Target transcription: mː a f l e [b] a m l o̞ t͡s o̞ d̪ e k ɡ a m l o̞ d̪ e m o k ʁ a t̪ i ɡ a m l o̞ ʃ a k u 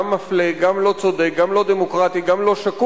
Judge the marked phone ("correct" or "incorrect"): incorrect